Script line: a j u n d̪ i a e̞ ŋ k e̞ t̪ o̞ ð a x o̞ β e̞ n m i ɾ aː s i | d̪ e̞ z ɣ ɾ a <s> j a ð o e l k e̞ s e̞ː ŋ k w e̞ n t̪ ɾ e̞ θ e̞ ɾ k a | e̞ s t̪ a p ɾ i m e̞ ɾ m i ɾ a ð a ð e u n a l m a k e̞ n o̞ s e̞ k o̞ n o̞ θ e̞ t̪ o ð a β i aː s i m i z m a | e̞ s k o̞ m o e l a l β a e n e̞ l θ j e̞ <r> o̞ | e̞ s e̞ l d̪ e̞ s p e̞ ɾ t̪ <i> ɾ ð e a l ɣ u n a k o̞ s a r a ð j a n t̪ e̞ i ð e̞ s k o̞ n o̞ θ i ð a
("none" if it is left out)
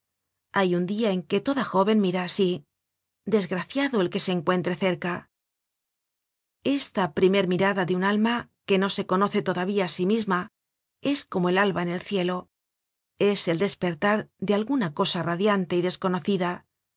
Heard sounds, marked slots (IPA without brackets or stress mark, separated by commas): θ, l, a